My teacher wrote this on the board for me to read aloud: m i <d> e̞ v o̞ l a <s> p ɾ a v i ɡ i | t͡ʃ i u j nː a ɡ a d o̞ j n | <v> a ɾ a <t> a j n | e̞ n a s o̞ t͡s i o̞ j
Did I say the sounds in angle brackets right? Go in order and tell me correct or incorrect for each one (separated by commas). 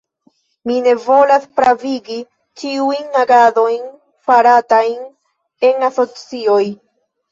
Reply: incorrect, correct, incorrect, correct